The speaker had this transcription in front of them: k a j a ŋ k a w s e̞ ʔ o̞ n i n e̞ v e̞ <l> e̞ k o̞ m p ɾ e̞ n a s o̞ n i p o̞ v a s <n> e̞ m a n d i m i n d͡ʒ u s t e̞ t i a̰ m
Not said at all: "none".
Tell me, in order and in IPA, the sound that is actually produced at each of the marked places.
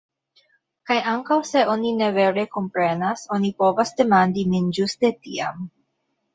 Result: ɾ, d

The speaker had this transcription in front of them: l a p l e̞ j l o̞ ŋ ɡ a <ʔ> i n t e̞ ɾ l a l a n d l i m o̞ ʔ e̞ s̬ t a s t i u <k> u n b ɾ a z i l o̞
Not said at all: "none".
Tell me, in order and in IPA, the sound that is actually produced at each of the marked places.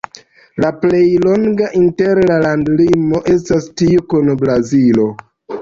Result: ʔ, k

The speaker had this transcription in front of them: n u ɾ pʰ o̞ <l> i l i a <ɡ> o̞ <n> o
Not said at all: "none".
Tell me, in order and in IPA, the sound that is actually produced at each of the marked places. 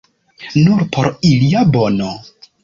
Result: ɾ, b, n

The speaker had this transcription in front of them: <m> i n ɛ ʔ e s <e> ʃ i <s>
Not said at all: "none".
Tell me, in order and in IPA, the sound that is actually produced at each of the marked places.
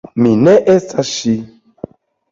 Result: m, a, none

